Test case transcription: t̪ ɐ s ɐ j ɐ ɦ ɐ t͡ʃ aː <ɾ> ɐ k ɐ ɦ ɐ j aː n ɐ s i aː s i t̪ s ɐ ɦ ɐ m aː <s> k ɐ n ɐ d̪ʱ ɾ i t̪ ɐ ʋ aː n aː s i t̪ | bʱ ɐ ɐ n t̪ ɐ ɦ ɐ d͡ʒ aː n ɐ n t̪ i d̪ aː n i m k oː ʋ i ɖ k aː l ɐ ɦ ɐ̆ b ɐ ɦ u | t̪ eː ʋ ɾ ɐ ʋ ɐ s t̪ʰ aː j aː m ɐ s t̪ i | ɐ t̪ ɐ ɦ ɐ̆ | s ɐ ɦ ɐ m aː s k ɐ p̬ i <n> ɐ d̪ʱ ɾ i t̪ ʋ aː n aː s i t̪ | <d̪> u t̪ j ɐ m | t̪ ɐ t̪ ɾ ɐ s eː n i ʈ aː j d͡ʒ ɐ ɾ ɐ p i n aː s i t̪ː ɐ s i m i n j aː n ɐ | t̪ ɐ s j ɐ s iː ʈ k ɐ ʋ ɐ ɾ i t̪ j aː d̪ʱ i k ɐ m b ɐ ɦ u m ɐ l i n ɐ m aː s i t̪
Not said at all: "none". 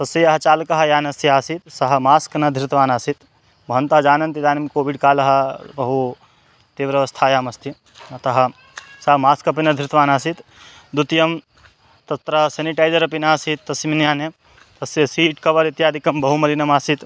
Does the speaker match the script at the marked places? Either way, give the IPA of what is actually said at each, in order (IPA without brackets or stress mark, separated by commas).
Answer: l, s, n, d̪